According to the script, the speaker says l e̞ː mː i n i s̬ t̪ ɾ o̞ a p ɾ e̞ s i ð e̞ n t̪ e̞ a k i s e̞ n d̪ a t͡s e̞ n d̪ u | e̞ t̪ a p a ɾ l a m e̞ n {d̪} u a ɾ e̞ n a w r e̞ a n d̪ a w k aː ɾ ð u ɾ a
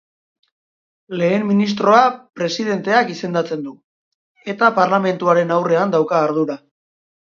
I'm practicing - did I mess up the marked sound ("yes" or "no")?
yes